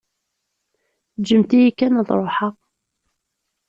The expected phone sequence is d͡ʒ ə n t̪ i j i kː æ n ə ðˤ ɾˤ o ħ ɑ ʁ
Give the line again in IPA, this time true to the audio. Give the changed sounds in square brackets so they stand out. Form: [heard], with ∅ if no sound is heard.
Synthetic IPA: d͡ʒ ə [m] t̪ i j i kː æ n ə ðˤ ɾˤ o ħ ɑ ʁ